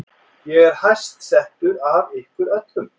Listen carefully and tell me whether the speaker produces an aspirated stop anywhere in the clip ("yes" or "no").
no